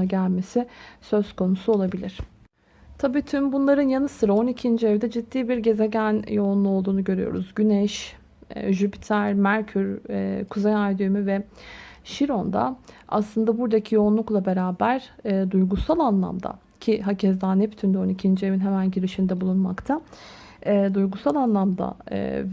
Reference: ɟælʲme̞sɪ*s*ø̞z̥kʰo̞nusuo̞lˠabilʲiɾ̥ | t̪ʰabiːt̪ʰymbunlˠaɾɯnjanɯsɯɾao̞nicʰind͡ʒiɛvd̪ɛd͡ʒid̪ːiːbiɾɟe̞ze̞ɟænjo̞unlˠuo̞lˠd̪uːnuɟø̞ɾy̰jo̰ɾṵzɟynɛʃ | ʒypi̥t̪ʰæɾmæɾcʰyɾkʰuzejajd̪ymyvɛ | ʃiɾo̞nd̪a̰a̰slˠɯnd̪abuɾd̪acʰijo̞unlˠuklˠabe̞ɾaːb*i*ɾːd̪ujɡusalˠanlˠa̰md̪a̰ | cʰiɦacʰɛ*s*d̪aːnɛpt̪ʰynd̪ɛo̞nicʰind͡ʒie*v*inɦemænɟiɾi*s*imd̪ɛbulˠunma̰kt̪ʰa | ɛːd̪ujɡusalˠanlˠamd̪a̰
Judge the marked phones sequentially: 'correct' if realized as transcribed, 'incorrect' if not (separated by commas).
correct, incorrect, incorrect, correct, incorrect